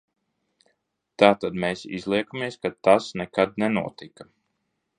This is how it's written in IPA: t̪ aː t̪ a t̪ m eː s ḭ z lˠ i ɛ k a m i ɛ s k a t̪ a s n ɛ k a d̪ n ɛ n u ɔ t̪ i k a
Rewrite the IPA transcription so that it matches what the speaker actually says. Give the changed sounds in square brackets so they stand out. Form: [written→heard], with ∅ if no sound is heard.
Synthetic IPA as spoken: t̪ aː t̪ a [t̪→d̪] m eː s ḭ z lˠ i ɛ k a m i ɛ s k a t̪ a s n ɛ k a d̪ n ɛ n u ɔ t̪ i k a

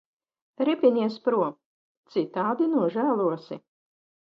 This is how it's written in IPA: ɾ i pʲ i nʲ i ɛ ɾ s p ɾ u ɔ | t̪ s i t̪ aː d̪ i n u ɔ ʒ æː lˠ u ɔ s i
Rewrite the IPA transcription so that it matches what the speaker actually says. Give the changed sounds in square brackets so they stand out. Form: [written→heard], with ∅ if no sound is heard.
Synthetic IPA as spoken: ɾ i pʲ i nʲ i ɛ [ɾ→∅] s p ɾ u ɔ | t̪ s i t̪ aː d̪ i n u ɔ ʒ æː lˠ u ɔ s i

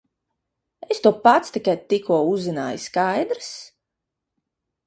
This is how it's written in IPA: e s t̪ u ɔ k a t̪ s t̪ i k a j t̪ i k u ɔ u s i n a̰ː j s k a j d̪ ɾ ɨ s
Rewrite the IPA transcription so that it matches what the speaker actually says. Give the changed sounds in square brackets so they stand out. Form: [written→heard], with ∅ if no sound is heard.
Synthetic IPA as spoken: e s t̪ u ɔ [k→p] a t̪ s t̪ i k a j t̪ i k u ɔ u [s→z] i n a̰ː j s k a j d̪ ɾ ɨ s

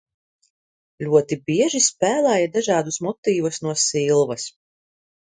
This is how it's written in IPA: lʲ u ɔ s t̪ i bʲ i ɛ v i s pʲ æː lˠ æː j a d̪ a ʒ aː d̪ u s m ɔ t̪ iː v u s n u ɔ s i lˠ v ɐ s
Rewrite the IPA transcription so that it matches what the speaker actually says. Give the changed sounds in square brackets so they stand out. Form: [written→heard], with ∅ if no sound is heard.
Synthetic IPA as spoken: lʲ u ɔ [s→∅] t̪ i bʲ i ɛ [v→ʒ] i s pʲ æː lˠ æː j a d̪ a ʒ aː d̪ u s m ɔ t̪ iː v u s n u ɔ s i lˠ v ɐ s

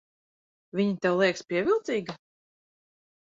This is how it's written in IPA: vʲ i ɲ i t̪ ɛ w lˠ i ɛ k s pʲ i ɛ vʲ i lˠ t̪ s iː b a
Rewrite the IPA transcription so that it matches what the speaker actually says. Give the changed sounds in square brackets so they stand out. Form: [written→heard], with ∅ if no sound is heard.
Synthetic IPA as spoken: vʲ i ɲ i t̪ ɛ w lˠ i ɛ k s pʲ i ɛ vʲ i lˠ t̪ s iː [b→ɡ] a

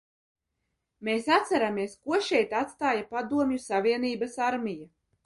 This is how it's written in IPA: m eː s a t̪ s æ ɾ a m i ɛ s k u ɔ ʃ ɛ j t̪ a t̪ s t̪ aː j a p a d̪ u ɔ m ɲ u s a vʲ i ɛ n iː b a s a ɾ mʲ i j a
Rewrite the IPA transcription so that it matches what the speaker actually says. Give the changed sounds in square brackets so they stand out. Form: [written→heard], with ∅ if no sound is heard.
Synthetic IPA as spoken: m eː s a t̪ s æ ɾ a m i ɛ s k u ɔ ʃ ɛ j t̪ a t̪ s t̪ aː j a p a d̪ u ɔ m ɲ u s a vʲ i ɛ n iː b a s a ɾ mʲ i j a

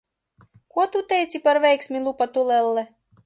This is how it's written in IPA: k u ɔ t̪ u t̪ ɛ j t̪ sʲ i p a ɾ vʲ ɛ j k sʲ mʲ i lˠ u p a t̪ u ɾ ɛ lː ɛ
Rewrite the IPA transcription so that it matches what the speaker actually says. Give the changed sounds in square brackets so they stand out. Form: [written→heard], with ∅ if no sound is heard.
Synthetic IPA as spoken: k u ɔ t̪ u t̪ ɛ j t̪ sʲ i p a ɾ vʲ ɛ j k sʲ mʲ i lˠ u p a t̪ u [ɾ→l] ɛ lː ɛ

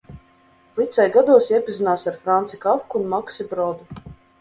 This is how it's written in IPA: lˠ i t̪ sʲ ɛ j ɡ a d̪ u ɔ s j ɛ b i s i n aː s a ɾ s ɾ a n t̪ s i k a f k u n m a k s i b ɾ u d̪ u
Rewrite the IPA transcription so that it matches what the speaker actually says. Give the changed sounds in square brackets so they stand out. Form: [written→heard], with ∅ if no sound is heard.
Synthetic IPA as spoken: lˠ i t̪ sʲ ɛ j ɡ a d̪ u ɔ s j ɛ [b→p] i [s→z] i n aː s a ɾ [s→f] ɾ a n t̪ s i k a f k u n m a k s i b ɾ [u→ɔ] d̪ u

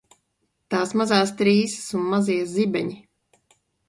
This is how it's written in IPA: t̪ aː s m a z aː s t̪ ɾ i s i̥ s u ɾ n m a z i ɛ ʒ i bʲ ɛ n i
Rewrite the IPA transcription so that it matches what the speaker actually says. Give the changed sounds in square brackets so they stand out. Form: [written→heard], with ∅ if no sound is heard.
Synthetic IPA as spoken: t̪ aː s m a z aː s t̪ ɾ [i→iː] s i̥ s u [ɾ→∅] n m a z i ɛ [ʒ→z] i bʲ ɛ [n→ɲ] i

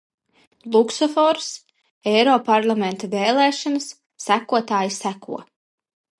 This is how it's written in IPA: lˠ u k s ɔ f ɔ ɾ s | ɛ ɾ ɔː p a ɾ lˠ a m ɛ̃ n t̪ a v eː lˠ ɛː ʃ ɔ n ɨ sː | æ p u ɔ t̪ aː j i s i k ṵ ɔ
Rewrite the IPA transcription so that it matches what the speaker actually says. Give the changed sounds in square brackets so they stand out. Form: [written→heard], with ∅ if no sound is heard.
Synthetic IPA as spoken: lˠ u k s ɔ f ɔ ɾ s | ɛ ɾ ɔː p a ɾ lˠ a m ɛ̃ n t̪ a v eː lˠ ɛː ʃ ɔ n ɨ sː | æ [p→k] u ɔ t̪ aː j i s [i→æ] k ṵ ɔ

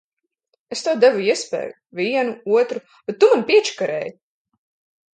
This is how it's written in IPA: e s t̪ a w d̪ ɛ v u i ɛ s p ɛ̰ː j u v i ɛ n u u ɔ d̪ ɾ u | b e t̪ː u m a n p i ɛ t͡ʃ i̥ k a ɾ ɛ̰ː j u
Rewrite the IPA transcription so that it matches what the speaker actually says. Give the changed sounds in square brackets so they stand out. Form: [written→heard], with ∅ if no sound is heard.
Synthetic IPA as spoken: e s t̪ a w d̪ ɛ v u i ɛ s p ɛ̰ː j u v i ɛ n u u ɔ [d̪→t̪] ɾ u | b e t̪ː u m a n p i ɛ t͡ʃ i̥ k a ɾ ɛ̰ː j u

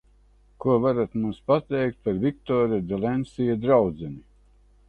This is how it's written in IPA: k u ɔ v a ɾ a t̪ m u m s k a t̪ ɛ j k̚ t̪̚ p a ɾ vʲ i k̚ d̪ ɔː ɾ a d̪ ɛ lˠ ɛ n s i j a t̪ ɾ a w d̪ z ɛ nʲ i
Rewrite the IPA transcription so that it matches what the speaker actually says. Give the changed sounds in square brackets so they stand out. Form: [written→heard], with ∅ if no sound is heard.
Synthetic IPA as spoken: k u ɔ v a ɾ a t̪ m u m s [k→p] a t̪ ɛ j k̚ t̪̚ p a ɾ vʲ i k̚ [d̪→t̪] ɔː ɾ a d̪ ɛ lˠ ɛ n s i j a [t̪→d̪] ɾ a w d̪ z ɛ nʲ i

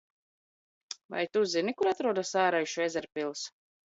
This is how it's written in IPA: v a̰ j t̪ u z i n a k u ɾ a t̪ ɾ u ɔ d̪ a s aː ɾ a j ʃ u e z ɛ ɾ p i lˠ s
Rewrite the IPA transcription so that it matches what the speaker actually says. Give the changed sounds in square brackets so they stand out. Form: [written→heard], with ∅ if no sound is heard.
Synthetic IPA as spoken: v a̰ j t̪ u z i n [a→i] k u ɾ a t̪ ɾ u ɔ d̪ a s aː ɾ a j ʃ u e z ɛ ɾ p i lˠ s

